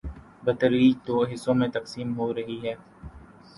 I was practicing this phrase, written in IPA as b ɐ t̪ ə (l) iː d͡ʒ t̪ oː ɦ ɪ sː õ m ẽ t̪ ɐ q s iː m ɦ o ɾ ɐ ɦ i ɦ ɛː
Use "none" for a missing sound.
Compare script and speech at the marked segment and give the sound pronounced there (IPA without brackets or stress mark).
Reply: ɾ